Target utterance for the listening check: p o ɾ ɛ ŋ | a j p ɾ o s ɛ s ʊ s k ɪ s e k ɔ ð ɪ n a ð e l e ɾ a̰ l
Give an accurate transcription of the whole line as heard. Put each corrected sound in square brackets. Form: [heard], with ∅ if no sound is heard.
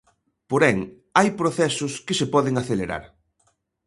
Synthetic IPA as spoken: p o ɾ ɛ ŋ | a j p ɾ o [θ] ɛ s ʊ s k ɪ s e [p] ɔ ð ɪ [ŋ] a [θ] e l e ɾ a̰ [ɾ]